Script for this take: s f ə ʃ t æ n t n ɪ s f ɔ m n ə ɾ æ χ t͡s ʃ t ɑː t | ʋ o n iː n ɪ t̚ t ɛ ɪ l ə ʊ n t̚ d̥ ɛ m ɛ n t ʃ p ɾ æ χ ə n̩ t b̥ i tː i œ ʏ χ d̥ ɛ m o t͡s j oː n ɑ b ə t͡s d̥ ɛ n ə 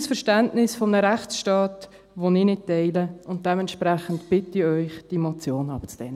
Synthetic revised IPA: s f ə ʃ t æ n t n ɪ s f ɔ m n ə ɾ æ χ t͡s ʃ t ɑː t | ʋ o n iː n ɪ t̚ t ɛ ɪ l ə ʊ n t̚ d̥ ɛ m ɛ n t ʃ p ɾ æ χ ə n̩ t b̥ ɪ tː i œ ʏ χ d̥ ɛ m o t͡s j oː n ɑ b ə t͡s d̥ ɛ n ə